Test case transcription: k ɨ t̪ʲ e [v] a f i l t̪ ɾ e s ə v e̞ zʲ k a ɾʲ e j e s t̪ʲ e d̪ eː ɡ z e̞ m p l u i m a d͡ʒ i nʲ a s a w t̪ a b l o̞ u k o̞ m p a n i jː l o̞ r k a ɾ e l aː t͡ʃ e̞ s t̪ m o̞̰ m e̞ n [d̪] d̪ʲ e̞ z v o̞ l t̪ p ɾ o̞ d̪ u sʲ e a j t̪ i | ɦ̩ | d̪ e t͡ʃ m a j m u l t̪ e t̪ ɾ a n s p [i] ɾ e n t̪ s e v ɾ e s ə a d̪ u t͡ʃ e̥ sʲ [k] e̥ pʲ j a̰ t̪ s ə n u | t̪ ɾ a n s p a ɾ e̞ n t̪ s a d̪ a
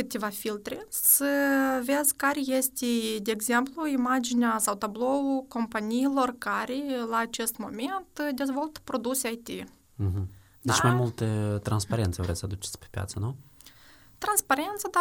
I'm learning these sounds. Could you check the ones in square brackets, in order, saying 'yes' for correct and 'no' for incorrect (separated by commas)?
yes, no, no, no